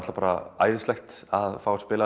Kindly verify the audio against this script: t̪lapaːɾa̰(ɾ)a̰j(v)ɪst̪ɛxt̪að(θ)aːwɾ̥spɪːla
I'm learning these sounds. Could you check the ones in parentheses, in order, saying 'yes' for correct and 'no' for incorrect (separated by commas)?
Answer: no, no, no